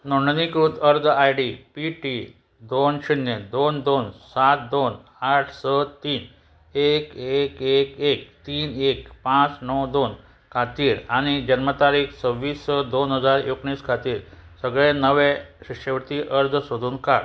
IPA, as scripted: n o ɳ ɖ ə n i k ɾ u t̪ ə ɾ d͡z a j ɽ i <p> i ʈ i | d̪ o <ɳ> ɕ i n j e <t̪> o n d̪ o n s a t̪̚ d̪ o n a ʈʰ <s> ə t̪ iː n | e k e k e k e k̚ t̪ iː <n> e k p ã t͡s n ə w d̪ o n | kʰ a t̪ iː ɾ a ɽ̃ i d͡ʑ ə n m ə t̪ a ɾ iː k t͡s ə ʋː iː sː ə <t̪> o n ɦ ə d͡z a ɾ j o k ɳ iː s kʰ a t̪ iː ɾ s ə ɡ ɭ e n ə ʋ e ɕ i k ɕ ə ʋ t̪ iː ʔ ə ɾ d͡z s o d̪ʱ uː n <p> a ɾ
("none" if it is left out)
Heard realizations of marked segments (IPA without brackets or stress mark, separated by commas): p, n, d̪, s, n, d̪, k